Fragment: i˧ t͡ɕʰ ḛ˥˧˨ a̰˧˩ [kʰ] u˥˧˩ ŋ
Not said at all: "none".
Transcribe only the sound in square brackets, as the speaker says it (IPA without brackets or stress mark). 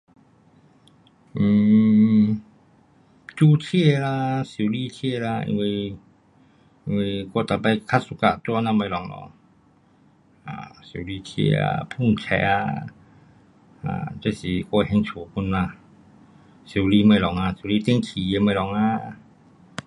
pʰ